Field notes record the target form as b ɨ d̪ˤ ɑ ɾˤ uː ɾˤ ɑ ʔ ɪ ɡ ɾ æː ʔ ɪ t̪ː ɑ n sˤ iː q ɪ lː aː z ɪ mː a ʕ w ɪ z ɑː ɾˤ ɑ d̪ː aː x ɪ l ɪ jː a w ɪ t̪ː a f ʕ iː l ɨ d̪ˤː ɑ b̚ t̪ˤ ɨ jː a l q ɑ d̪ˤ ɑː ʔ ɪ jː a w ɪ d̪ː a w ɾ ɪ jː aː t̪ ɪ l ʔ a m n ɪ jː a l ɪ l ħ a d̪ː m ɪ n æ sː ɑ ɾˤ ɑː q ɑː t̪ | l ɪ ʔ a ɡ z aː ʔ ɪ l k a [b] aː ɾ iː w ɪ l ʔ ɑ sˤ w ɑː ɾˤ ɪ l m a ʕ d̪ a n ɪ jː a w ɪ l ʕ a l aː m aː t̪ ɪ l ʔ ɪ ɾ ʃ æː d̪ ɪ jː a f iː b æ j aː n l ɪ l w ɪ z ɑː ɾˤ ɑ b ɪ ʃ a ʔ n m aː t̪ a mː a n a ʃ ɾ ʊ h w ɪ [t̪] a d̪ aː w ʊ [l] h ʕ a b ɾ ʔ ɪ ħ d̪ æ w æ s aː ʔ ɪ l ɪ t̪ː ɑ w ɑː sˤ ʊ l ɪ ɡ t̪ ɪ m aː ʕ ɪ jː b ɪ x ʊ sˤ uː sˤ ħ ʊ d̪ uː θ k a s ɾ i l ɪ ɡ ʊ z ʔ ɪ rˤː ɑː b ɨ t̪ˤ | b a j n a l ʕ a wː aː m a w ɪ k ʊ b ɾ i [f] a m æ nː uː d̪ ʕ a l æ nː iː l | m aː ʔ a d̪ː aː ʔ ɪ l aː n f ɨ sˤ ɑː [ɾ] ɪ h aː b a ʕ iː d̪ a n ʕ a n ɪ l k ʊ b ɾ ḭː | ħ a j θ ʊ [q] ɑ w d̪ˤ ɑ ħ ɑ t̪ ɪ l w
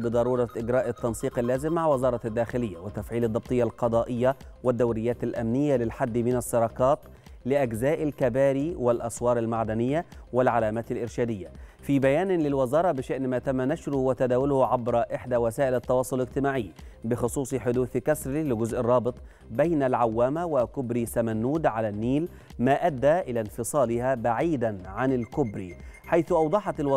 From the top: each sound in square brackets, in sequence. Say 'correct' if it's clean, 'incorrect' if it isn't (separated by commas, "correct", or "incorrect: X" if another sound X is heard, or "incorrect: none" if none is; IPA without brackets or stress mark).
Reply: correct, correct, correct, incorrect: s, incorrect: l, incorrect: ʔ